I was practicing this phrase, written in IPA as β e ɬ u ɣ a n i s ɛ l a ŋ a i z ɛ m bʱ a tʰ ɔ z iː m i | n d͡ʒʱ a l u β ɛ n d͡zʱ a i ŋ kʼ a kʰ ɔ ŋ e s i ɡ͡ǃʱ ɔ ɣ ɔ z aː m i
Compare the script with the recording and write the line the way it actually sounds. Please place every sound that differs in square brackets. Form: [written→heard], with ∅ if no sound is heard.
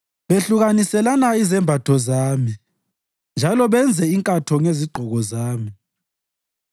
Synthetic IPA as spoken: β e ɬ u ɣ a n i s ɛ l a [ŋ→n] a i z ɛ m bʱ a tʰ ɔ z [iː→aː] m i | n d͡ʒʱ a l [u→ɔ] β ɛ n d͡zʱ [a→ɛ] i ŋ kʼ a [kʰ→tʰ] ɔ ŋ e [s→z] i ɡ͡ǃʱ ɔ ɣ ɔ z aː m i